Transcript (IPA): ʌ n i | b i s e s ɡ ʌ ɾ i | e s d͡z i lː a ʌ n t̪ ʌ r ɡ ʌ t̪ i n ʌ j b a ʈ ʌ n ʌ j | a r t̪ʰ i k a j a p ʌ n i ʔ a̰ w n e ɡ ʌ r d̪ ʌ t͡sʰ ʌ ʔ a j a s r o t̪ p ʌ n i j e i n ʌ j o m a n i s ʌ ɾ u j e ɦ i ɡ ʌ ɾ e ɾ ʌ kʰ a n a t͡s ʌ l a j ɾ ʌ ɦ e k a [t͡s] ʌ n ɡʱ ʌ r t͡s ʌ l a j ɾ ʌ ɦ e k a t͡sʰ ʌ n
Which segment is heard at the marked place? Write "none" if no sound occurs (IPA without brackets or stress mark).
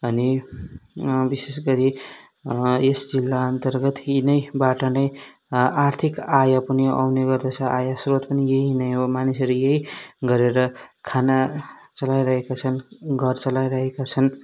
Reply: t͡sʰ